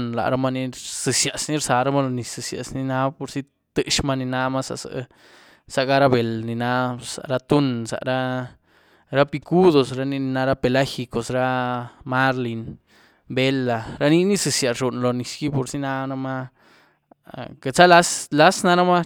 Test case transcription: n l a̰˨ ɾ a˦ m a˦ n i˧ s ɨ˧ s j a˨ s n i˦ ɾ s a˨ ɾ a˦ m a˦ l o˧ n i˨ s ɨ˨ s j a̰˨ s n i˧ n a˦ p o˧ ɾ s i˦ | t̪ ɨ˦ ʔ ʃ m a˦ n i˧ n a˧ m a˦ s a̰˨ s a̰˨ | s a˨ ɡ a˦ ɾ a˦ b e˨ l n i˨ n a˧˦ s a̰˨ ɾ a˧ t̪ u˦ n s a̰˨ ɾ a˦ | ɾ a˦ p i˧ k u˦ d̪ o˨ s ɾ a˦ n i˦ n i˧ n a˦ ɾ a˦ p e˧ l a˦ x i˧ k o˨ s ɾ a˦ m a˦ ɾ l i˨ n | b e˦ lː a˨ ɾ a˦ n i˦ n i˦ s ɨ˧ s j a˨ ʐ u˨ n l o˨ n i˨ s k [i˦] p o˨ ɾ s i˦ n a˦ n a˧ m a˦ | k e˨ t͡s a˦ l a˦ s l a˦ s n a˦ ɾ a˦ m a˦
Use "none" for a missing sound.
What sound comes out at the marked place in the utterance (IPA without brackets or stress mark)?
i˦